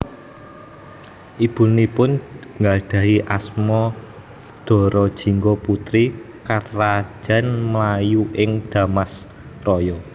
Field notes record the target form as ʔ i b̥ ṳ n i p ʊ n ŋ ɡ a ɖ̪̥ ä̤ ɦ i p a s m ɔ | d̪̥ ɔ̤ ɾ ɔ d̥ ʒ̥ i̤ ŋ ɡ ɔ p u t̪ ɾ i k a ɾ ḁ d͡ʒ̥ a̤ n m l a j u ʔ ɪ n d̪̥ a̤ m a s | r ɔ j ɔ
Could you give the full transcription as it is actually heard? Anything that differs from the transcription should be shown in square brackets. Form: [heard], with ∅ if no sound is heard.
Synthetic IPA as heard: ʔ i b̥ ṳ n i p ʊ n ŋ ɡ a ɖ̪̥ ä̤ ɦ i [ʔ] a s m ɔ | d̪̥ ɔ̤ ɾ ɔ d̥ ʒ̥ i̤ ŋ ɡ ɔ p u t̪ ɾ i k a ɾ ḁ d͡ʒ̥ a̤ n m l a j u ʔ ɪ [ŋ] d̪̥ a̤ m a s | r ɔ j ɔ